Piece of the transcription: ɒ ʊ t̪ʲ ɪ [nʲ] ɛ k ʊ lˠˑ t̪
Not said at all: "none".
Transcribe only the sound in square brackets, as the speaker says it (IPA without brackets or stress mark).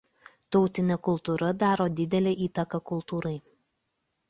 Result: nʲ